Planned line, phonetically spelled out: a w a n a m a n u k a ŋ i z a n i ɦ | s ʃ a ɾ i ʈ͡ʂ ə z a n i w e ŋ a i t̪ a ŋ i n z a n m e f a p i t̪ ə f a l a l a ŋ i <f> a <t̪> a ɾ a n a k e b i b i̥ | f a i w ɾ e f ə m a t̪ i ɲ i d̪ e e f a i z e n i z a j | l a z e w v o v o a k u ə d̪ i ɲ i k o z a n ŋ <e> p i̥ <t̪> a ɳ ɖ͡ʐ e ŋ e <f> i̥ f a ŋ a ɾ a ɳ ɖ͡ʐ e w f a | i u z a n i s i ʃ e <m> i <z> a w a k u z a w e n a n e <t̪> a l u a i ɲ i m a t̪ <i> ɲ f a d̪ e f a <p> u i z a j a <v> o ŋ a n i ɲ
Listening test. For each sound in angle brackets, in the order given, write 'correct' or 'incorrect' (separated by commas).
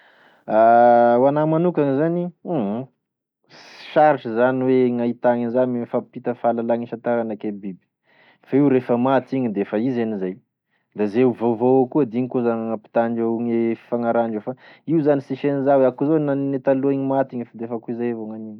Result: incorrect, correct, incorrect, correct, correct, incorrect, correct, correct, correct, incorrect, correct